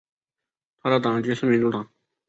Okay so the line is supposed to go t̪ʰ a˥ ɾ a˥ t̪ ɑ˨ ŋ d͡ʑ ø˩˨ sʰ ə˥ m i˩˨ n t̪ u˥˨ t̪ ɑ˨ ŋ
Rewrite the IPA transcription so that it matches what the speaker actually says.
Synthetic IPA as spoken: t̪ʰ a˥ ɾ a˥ t̪ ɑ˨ ŋ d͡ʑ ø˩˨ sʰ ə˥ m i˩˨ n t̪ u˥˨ t̪ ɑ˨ ŋ